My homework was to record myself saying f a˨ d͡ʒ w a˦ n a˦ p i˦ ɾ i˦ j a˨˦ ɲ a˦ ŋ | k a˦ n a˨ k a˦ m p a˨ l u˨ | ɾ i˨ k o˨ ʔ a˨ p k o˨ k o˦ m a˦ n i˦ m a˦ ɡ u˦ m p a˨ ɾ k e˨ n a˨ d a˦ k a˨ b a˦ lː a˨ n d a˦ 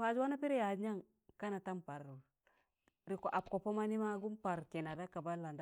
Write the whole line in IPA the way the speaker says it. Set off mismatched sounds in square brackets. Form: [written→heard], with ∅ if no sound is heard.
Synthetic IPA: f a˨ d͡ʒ w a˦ n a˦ p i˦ ɾ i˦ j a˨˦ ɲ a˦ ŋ | k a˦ n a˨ [k→t] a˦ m p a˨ [l→ɾ] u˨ | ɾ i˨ k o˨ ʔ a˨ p k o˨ [k→p] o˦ m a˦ n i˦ m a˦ ɡ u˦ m p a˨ ɾ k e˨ n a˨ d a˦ k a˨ b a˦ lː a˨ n d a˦